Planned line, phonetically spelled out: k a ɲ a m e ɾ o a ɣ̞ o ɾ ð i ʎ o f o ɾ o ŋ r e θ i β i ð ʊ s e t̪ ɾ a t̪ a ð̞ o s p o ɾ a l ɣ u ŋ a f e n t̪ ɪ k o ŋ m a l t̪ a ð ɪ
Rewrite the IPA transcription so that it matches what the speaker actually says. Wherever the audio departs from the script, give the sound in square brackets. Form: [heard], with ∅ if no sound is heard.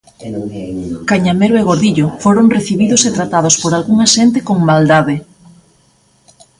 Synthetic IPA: k a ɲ a m e ɾ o [e] ɣ̞ o ɾ ð i ʎ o f o ɾ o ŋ r e θ i β i ð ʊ s e t̪ ɾ a t̪ a ð̞ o s p o ɾ a l ɣ u ŋ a [ʃ] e n t̪ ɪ k o ŋ m a l [d̪] a ð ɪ